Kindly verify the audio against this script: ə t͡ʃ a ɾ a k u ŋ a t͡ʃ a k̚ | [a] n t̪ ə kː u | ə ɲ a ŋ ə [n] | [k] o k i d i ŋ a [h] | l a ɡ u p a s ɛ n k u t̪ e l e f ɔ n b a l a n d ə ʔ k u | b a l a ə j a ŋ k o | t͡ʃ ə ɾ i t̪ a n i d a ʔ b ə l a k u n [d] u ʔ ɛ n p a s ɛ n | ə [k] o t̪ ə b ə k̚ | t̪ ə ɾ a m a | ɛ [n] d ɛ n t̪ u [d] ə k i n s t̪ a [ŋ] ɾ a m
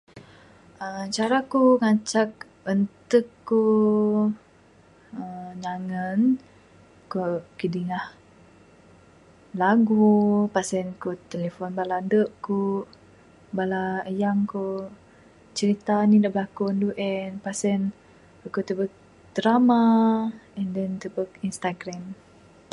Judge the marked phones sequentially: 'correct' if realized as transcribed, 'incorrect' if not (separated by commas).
incorrect, correct, correct, correct, correct, correct, correct, incorrect, incorrect